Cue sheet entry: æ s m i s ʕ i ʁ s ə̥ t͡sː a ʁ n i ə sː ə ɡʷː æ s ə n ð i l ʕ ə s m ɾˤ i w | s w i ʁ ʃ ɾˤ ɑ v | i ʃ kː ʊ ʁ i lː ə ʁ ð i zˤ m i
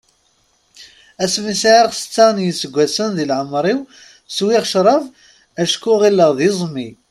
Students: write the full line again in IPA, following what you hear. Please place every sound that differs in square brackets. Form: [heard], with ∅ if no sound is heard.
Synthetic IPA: æ s m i s ʕ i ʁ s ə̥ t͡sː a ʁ n [j] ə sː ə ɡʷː æ s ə n ð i l ʕ ə [∅] m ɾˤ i w | s w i ʁ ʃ ɾˤ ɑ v | [æ] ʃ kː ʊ ʁ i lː ə ʁ ð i zˤ m i